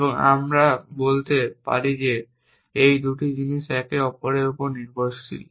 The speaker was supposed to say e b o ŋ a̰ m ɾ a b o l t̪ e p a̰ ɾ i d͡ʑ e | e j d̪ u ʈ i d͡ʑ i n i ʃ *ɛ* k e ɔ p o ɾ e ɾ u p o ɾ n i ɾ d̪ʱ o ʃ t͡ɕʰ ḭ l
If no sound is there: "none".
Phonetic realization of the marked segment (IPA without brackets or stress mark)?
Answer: ɛ